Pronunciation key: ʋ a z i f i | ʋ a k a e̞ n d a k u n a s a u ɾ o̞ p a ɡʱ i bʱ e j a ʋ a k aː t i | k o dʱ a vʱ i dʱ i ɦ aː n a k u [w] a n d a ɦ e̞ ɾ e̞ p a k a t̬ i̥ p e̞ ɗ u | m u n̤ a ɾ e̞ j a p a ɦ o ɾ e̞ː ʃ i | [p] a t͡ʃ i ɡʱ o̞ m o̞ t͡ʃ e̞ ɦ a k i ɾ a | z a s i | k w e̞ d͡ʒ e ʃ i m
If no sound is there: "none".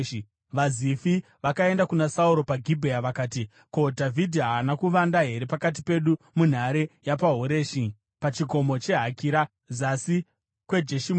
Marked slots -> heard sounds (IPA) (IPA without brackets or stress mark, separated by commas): ʋ, p